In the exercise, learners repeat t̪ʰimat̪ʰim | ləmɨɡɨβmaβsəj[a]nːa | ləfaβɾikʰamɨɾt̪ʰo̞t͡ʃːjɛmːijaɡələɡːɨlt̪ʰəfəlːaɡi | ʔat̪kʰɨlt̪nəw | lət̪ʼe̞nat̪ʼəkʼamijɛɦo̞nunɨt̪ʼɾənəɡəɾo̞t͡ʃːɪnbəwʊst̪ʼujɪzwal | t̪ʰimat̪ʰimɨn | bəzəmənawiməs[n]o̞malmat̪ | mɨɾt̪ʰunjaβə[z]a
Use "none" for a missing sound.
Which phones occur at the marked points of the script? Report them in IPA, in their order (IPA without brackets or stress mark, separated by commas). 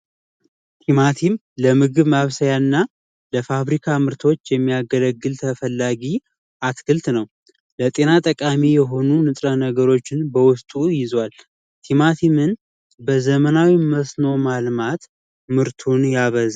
a, n, z